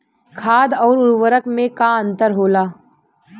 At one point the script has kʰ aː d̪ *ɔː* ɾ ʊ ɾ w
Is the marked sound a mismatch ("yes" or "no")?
no